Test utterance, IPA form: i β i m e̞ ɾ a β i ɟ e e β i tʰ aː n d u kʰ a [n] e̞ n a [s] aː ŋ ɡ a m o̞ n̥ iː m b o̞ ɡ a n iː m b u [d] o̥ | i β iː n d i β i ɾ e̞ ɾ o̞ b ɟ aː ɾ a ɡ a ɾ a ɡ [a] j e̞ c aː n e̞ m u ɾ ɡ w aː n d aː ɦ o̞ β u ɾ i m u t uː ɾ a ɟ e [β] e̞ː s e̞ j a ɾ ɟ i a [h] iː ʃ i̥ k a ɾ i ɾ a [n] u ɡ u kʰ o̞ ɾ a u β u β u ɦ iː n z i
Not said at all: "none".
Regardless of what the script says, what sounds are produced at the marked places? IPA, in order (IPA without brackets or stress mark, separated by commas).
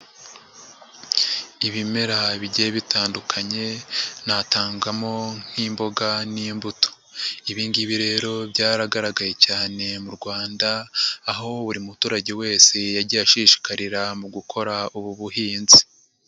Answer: ɲ, t, t, a, w, ʃ, m